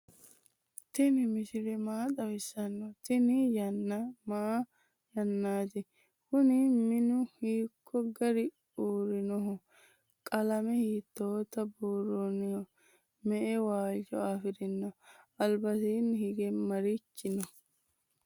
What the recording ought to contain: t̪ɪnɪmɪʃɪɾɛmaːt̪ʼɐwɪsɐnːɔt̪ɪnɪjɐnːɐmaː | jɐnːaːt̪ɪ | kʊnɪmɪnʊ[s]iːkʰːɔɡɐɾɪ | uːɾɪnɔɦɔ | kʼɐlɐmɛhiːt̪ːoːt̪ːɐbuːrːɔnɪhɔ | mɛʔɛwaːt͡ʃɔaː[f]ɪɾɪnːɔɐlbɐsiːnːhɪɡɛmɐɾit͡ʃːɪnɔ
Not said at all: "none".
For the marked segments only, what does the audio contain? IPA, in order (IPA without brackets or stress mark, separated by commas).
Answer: h, f